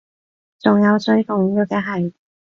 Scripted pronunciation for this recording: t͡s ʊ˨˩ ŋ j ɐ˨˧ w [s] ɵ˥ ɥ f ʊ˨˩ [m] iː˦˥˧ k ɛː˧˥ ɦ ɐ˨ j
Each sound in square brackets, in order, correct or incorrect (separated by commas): correct, incorrect